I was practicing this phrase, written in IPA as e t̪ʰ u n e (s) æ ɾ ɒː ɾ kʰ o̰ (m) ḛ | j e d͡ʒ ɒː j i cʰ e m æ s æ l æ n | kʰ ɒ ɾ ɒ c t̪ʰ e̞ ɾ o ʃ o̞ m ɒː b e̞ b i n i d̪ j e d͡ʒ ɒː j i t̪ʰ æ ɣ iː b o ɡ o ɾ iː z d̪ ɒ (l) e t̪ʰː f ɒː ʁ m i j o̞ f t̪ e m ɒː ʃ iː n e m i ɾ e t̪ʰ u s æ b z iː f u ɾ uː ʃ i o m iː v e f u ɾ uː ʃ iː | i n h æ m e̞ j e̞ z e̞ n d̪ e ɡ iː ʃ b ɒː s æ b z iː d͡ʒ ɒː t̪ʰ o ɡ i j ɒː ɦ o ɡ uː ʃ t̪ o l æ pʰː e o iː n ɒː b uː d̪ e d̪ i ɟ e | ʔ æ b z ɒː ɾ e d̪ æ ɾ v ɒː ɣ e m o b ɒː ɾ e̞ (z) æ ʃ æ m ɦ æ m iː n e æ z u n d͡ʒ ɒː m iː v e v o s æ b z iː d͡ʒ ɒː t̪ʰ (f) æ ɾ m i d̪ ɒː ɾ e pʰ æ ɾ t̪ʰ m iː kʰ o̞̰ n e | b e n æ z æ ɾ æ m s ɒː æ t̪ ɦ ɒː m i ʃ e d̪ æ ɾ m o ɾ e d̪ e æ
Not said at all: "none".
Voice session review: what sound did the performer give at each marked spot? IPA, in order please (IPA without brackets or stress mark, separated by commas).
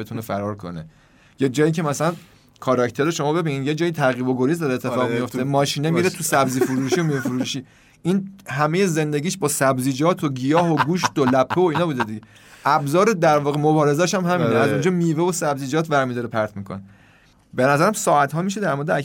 f, n, ɾ, z, v